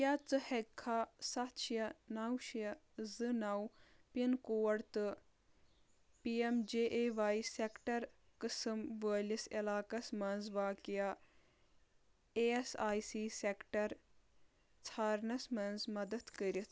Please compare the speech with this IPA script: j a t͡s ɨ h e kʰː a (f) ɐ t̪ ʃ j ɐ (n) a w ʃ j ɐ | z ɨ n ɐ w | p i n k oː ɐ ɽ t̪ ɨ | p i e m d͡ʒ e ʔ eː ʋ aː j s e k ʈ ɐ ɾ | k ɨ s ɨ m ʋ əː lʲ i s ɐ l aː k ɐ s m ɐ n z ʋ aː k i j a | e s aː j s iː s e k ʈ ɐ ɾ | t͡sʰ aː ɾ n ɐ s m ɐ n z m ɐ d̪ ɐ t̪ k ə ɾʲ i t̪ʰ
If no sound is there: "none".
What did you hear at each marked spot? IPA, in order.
s, n

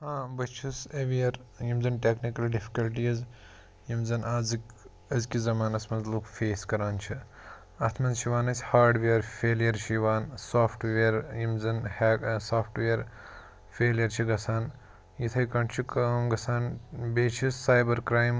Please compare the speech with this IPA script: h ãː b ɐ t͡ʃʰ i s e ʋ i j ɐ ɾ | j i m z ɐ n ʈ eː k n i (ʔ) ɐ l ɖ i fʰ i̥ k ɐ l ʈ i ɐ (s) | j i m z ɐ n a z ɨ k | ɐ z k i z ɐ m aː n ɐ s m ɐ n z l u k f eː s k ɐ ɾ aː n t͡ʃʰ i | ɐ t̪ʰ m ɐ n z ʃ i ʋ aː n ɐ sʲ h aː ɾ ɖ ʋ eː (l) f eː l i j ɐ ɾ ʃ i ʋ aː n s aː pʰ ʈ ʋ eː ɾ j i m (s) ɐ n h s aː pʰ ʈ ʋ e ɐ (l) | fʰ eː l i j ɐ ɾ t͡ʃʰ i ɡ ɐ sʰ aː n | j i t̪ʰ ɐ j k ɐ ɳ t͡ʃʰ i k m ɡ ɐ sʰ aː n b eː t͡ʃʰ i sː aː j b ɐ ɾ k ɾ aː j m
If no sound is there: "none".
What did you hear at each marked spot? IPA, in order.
k, z, ɾ, z, ɾ

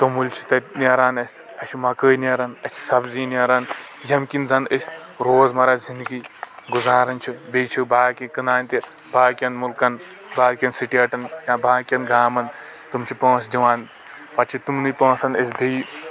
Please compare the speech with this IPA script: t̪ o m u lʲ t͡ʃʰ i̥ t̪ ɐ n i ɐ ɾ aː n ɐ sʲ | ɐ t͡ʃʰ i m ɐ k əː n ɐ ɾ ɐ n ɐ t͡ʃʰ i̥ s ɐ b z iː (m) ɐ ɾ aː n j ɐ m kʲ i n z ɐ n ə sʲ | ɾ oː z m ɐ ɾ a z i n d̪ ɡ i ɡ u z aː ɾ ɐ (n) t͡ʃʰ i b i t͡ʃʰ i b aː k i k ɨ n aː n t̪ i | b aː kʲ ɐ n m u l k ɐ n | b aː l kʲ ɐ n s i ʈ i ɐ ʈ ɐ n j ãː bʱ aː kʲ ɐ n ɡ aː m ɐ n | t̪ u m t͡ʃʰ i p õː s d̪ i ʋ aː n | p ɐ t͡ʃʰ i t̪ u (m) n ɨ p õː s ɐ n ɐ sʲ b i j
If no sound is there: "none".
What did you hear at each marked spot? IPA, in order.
n, n, m

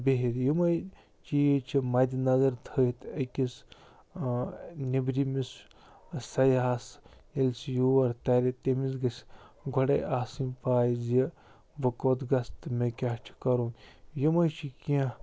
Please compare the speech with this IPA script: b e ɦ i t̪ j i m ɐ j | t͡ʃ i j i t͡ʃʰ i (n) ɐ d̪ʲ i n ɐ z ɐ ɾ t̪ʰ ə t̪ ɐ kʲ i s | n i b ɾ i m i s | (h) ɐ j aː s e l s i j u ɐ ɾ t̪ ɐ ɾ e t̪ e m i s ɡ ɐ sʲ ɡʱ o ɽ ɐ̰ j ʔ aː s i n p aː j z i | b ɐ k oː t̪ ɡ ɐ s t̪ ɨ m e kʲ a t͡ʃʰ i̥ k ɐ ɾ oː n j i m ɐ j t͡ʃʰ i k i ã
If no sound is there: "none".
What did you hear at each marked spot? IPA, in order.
m, s

